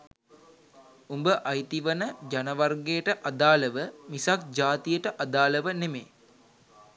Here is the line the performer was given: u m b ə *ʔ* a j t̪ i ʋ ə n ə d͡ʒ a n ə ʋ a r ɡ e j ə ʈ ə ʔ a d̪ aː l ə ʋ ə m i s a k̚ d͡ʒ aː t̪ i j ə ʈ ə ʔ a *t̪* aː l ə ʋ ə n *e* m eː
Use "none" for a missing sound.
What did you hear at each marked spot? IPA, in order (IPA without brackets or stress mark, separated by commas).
ʔ, d̪, e